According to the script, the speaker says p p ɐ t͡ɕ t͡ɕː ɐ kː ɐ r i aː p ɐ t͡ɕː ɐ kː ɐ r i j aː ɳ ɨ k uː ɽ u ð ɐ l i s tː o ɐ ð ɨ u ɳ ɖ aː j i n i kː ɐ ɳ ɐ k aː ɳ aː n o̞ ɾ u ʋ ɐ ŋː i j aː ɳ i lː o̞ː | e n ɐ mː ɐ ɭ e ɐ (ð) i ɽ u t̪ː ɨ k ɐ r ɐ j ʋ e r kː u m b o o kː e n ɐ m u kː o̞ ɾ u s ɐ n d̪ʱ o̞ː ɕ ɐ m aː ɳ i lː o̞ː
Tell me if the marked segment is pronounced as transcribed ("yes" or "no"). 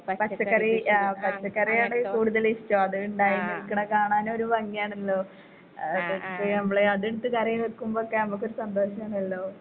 yes